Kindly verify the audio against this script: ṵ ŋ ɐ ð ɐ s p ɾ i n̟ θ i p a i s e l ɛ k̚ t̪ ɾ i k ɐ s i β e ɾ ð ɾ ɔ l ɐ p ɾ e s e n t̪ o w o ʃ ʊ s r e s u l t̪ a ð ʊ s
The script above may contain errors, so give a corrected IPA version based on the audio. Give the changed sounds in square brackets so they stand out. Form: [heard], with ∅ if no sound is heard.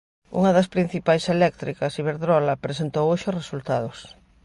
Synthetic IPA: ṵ ŋ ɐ ð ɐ s p ɾ i n̟ θ i p a [j] s e l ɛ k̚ t̪ ɾ i k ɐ s i β e ɾ ð ɾ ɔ l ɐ p ɾ e s e n t̪ o w o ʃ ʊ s r e s u l t̪ a ð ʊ s